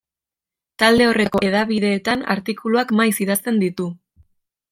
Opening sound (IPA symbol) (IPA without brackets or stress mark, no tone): t̪